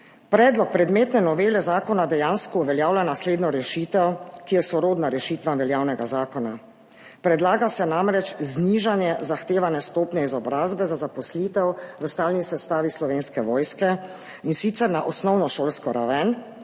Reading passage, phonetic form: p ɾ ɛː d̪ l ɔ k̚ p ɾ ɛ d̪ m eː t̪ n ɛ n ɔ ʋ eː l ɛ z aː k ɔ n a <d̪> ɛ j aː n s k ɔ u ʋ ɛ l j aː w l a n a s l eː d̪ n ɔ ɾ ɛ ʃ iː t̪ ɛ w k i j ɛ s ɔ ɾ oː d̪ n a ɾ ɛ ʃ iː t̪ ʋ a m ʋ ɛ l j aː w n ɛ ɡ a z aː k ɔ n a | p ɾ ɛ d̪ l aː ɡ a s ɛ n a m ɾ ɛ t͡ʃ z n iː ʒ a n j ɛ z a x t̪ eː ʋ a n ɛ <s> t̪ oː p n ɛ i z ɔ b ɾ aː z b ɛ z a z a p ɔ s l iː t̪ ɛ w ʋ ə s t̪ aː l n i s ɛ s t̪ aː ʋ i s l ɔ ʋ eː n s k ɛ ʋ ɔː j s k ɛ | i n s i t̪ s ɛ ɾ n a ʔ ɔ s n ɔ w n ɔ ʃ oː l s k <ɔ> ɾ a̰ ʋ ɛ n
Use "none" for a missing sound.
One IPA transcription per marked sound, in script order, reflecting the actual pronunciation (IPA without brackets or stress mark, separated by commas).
d̪, s, ɔ